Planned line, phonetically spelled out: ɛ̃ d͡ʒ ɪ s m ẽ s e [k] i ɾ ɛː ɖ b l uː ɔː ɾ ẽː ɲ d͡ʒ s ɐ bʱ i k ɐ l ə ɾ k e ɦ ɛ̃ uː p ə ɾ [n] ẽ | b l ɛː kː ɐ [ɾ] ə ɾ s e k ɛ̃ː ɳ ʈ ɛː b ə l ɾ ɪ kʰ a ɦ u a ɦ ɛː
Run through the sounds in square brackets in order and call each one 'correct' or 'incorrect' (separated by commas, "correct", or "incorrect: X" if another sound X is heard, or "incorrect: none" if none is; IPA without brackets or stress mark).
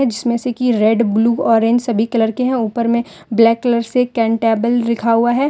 correct, incorrect: m, incorrect: l